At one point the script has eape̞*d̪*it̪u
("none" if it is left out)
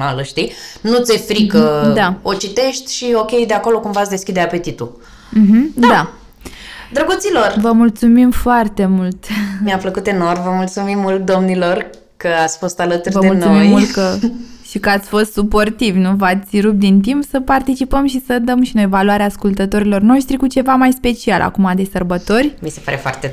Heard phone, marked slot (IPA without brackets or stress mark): t̪